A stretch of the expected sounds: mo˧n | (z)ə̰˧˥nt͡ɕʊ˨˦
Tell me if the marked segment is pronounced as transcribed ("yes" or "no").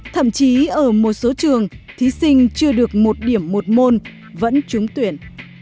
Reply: no